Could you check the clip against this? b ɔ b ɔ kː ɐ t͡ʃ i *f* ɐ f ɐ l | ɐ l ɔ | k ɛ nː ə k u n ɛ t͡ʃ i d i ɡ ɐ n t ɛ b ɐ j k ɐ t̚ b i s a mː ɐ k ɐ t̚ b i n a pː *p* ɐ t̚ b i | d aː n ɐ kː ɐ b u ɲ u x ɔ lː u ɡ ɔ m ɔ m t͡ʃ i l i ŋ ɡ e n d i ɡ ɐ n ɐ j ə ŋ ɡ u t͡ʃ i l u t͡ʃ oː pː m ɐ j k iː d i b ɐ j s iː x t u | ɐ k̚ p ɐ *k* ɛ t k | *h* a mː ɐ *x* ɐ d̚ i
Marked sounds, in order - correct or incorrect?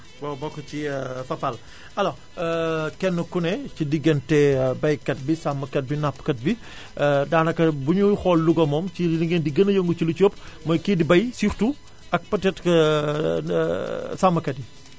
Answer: correct, incorrect, incorrect, incorrect, incorrect

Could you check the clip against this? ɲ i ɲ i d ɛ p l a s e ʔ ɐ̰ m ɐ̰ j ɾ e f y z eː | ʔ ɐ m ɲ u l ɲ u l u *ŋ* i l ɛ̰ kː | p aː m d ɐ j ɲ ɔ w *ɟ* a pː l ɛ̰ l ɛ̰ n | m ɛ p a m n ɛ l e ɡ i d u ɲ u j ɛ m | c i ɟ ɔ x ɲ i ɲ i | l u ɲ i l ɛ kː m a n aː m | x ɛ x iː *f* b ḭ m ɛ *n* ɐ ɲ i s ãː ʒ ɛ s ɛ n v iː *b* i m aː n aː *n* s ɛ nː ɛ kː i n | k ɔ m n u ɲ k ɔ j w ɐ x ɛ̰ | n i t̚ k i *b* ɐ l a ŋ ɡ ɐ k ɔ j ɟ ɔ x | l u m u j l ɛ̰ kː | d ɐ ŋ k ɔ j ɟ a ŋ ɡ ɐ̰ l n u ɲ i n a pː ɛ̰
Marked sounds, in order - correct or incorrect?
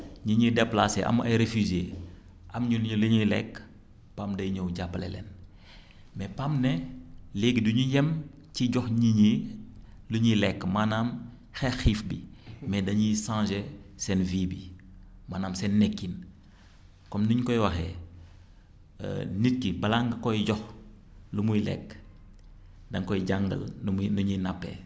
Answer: incorrect, correct, correct, incorrect, correct, incorrect, correct

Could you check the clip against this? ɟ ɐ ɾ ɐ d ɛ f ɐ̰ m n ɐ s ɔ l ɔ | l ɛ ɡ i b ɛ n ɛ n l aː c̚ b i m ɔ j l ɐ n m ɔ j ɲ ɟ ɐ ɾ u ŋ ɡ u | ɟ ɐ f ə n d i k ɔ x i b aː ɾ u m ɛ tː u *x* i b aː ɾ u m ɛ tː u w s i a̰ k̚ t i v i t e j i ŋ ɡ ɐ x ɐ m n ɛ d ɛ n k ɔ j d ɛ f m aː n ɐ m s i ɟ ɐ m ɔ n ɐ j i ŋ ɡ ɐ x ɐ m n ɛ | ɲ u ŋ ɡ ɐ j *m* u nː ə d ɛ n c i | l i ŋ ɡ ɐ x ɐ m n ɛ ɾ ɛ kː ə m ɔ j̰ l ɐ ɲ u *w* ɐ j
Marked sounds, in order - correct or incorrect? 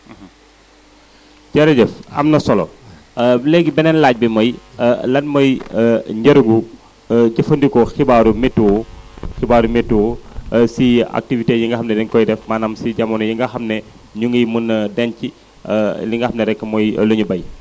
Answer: correct, correct, incorrect

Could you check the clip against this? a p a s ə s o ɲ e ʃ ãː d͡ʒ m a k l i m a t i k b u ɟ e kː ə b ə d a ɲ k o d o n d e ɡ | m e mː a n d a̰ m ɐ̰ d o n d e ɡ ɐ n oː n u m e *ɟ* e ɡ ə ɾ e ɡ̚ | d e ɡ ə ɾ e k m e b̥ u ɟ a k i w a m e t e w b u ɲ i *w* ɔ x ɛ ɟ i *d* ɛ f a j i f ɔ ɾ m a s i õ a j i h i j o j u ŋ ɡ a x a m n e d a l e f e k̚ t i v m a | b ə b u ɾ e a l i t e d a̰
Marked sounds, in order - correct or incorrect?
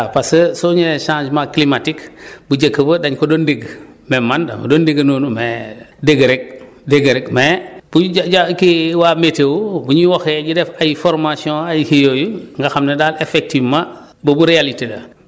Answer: incorrect, correct, correct

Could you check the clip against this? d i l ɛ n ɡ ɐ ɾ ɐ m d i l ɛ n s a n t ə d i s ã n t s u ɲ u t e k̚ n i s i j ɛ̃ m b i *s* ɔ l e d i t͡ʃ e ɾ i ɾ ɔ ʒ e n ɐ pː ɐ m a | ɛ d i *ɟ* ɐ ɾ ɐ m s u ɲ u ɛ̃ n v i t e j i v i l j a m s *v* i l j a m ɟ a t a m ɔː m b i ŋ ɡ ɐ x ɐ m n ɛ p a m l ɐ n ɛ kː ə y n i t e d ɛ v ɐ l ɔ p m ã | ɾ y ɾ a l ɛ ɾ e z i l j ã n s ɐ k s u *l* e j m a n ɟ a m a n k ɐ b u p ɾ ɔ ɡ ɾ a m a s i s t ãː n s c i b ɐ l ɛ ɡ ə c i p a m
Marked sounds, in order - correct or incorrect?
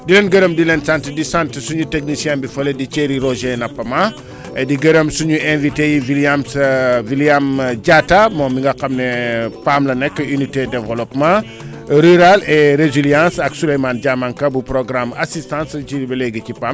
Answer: incorrect, incorrect, correct, correct

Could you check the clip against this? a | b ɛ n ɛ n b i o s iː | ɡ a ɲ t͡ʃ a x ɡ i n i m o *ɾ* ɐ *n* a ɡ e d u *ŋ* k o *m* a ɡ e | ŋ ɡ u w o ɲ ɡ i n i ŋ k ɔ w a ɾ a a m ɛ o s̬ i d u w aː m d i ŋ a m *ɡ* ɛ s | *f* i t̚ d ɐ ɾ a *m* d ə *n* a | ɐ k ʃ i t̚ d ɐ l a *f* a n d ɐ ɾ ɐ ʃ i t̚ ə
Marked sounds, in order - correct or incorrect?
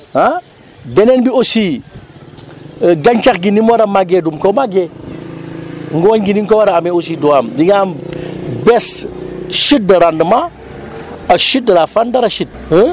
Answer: correct, incorrect, incorrect, correct, incorrect, incorrect, incorrect, incorrect, correct

